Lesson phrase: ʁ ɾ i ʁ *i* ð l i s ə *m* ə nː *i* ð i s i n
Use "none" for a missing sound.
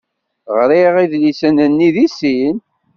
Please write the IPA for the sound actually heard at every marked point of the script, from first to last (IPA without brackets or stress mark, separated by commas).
i, n, i